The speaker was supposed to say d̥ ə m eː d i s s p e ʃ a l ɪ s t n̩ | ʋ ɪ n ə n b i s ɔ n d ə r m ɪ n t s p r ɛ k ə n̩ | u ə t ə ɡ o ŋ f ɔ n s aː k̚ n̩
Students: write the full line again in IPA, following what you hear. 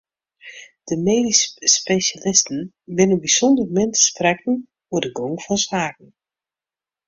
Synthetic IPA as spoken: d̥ ə m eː d i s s p e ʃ a l ɪ s t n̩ | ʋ ɪ n ə n b i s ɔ n d ə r m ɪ n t s p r ɛ k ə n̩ | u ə d ə ɡ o ŋ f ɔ n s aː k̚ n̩